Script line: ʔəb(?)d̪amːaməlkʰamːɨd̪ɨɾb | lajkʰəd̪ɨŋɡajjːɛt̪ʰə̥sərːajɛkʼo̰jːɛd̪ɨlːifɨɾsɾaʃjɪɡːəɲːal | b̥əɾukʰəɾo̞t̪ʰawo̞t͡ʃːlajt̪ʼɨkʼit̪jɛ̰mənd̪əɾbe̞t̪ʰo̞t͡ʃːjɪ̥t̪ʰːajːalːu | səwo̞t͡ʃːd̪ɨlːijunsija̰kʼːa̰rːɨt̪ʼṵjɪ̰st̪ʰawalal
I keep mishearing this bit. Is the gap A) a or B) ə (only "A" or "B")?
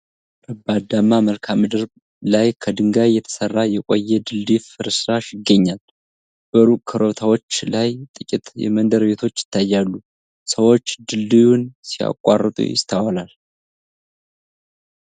A